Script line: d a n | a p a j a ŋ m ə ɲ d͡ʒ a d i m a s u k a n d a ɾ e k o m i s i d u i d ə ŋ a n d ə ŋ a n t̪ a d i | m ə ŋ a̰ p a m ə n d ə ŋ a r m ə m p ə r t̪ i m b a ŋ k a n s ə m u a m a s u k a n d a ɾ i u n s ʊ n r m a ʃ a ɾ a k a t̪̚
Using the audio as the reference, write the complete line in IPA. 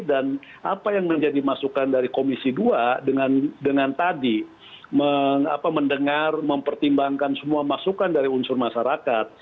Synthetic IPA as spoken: d a n | a p a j a ŋ m ə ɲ d͡ʒ a d i m a s u k a n d a ɾ i k o m i s i d u a d ə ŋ a n d ə ŋ a n t̪ a d i | m ə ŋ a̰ p a m ə n d ə ŋ a r m ə m p ə r t̪ i m b a ŋ k a n s ə m u a m a s u k a n d a ɾ i u n s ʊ r m a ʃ a ɾ a k a t̪̚